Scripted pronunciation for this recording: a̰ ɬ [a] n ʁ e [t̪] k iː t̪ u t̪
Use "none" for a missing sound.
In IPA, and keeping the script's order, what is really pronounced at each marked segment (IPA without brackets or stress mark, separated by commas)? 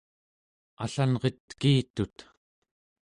a, t̪